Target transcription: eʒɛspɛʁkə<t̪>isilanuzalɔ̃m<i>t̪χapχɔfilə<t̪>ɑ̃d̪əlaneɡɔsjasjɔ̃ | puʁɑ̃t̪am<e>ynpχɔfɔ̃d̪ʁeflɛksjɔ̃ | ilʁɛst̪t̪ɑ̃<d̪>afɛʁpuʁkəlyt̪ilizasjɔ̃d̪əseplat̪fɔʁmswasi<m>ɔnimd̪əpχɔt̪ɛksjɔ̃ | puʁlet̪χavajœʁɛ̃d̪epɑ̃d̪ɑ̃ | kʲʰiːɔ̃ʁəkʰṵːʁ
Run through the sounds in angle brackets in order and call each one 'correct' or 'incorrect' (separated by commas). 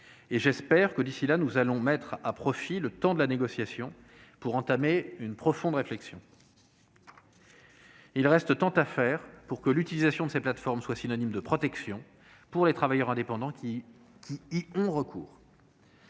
incorrect, incorrect, correct, correct, incorrect, incorrect